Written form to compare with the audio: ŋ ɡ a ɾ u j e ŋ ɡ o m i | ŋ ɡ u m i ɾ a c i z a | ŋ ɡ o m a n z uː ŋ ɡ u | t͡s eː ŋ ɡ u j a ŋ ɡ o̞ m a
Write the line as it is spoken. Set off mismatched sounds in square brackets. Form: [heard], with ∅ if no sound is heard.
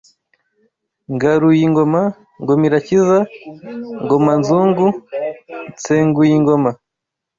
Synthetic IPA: ŋ ɡ a ɾ u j [i] ŋ ɡ o m [a] | ŋ ɡ [o] m i ɾ a c i z a | ŋ ɡ o m a n z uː ŋ ɡ u | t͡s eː ŋ ɡ u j [i] ŋ ɡ o̞ m a